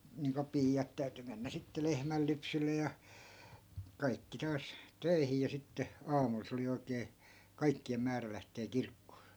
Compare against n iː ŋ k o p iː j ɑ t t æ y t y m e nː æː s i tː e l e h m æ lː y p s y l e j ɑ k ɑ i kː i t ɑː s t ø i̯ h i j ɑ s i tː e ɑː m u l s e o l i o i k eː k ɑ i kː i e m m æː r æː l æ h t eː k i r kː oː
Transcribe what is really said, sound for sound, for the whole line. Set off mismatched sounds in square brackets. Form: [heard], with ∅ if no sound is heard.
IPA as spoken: n iː ŋ k o p iː j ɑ t t æ y t y m e nː [æ] s i tː e l e h m æ lː y p s y [lː] e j ɑ k ɑ i kː i t ɑː s t ø i̯ h i j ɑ s i tː e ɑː m u l s e o l i o i k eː k ɑ i kː i e m m æː r [æ] l æ h t eː k i r kː oː

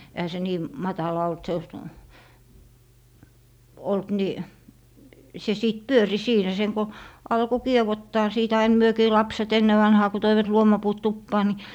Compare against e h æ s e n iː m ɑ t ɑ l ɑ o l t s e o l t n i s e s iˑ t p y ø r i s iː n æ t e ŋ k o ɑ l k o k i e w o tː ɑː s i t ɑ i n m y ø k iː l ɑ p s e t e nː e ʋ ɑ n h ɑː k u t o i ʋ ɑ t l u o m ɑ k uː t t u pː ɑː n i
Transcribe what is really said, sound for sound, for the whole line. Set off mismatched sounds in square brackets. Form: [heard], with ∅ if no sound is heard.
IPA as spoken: e h æ s e n iː m ɑ t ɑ l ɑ o l t s e o l t n i s e s iˑ t p y ø r i s iː n æ [s] e ŋ k o ɑ l k o k i e w o tː ɑː s [iː] t ɑ i n m y ø k iː l ɑ p s e t e nː e ʋ ɑ n h ɑː k u t o i ʋ ɑ t l u o m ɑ [p] uː t t u pː ɑː n i

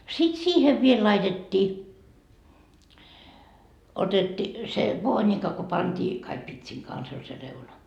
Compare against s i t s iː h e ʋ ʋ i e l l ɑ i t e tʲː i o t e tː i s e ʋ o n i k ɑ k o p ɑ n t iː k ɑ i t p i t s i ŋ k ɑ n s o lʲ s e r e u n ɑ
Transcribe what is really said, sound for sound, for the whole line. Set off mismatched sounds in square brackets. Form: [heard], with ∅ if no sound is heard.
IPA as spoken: s i t s iː h e ʋ ʋ i e l l ɑ i t e tʲː [iː] o t e tː i s e ʋ [oː] n i k ɑ k o p ɑ n t iː k ɑ i [k] p i t s i ŋ k ɑ n s o lʲ s e r e u n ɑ

